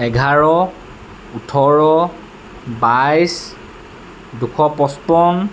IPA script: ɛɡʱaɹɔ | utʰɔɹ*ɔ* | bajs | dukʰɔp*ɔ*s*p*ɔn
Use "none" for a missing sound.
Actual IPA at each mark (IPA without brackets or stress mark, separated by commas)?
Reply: ɔ, ɔ, p